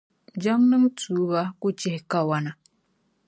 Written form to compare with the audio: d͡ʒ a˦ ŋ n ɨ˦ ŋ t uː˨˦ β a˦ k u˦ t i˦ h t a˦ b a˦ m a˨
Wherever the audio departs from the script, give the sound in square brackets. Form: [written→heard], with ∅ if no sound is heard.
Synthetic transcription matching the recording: d͡ʒ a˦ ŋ n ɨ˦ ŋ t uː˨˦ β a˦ k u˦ [t→t͡ʃ] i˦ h [t→k] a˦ [b→w] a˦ [m→n] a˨